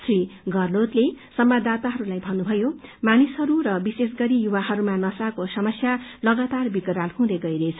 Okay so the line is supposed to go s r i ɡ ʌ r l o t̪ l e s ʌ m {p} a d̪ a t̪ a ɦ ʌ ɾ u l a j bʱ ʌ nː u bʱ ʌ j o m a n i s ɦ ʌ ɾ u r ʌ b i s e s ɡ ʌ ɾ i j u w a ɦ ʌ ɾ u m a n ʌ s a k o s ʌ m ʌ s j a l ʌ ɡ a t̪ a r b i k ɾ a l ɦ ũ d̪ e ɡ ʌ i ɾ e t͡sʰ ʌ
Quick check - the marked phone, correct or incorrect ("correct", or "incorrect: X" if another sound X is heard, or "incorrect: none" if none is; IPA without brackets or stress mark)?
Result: incorrect: b